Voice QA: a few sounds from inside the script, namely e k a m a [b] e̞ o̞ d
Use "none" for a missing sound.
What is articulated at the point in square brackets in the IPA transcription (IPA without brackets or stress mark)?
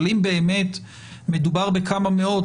m